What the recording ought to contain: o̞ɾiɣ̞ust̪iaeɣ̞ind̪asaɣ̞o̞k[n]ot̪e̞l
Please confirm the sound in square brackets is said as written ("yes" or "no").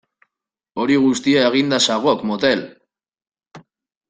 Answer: no